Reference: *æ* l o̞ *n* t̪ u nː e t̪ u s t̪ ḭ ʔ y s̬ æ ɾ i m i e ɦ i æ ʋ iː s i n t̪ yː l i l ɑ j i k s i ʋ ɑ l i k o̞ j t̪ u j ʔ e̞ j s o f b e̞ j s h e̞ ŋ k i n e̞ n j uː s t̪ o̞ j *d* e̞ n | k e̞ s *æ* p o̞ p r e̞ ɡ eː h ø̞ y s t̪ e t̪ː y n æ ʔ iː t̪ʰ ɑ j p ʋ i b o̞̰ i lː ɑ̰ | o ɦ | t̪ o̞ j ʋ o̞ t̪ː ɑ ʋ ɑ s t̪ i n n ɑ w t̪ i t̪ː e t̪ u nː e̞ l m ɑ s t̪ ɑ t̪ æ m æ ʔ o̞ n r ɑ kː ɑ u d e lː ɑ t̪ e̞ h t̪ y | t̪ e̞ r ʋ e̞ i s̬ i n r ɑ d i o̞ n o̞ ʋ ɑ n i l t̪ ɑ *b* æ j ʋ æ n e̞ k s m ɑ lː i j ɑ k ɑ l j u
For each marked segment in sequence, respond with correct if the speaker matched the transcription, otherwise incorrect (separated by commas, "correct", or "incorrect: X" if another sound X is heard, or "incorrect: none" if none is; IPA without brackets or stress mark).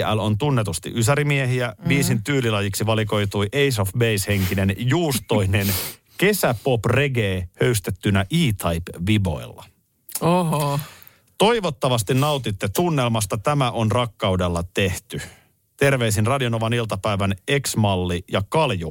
correct, correct, incorrect: n, correct, incorrect: p